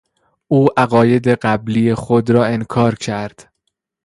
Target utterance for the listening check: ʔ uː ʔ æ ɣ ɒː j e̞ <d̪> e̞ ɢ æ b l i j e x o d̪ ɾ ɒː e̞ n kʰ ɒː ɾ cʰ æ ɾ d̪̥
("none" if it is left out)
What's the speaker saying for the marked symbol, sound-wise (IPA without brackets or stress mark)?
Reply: d̪